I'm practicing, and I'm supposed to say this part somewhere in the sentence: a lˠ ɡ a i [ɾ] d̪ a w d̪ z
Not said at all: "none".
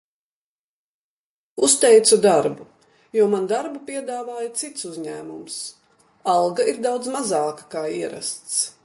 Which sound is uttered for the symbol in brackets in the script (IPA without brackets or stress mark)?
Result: ɾ